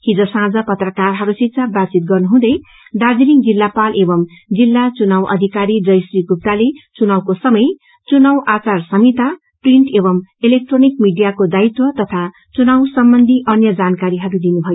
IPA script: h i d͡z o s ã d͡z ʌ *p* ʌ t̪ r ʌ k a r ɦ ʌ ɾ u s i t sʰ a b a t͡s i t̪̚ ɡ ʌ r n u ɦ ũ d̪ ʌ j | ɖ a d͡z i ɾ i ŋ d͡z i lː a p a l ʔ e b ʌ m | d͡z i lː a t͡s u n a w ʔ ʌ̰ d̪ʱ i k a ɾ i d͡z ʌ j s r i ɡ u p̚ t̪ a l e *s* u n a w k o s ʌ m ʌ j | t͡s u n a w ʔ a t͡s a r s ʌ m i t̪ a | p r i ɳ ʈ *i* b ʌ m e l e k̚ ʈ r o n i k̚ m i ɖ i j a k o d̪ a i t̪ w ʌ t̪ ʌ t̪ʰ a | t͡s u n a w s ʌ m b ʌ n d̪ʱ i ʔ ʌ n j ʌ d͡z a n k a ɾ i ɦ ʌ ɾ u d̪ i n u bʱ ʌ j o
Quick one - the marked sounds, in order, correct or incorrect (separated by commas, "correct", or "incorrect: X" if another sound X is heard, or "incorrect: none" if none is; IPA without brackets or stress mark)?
correct, incorrect: t͡s, incorrect: e